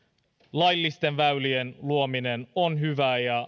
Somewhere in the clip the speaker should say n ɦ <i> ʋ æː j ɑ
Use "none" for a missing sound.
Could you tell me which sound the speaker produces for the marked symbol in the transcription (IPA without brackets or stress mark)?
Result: y